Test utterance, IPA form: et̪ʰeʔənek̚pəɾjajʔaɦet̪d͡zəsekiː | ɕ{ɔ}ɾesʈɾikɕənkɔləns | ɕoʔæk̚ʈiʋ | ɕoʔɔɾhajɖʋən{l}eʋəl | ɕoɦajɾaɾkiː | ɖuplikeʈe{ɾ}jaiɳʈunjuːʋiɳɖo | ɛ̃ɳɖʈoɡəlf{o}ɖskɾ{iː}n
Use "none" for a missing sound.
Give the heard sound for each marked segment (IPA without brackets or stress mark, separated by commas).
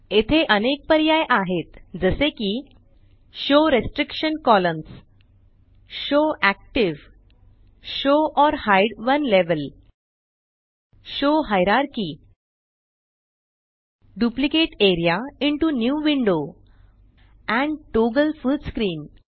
o, l, ɾ, u, iː